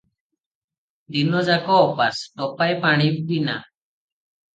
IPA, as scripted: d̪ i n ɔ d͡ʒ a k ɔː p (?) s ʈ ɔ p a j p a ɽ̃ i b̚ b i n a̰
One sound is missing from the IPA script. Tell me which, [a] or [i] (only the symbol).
a